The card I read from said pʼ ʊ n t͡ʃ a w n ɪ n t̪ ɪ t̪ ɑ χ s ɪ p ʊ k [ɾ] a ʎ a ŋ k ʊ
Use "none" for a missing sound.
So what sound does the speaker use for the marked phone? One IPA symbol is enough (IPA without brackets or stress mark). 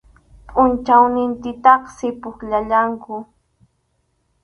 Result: ʎ